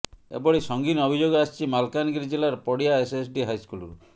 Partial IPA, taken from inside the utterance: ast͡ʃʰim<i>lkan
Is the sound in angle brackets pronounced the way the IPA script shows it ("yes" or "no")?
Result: no